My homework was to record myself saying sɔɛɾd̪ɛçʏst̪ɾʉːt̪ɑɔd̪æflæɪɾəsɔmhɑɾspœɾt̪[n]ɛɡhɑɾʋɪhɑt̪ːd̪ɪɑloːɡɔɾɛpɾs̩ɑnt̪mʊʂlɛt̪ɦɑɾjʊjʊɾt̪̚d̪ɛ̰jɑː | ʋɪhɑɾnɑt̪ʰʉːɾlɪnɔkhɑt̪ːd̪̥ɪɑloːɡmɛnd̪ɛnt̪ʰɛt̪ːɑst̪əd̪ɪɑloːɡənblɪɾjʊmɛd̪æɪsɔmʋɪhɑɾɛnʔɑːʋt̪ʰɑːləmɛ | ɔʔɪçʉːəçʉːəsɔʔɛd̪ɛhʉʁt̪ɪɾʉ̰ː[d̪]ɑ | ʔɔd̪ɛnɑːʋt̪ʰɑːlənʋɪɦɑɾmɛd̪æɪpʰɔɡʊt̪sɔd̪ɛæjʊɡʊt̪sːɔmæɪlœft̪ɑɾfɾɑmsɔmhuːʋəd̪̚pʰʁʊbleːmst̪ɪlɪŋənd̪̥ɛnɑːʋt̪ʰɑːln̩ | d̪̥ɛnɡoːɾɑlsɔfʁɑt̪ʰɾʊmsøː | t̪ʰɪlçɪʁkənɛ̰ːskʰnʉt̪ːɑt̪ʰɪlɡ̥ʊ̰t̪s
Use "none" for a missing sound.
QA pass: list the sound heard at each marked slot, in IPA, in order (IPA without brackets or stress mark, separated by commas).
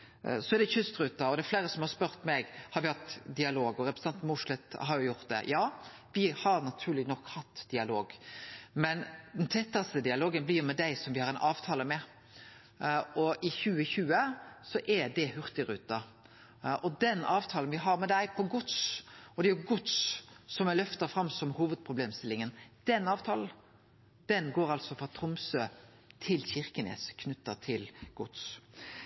m, t̪